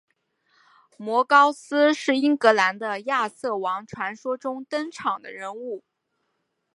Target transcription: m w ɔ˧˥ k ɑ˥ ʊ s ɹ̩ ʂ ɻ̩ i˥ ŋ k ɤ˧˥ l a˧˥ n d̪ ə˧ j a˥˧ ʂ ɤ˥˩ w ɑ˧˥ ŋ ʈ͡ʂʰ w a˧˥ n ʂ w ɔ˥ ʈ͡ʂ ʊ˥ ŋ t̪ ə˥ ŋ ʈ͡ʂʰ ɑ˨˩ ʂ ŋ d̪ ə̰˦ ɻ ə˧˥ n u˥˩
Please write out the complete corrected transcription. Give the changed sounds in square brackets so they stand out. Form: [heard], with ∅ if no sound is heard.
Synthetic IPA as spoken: m w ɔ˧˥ k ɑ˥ ʊ s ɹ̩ ʂ ɻ̩ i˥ ŋ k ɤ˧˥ l a˧˥ n d̪ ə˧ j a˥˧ [s] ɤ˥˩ w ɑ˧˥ ŋ ʈ͡ʂʰ w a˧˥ n ʂ w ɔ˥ ʈ͡ʂ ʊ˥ ŋ t̪ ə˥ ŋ ʈ͡ʂʰ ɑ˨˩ [∅] ŋ d̪ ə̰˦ ɻ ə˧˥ n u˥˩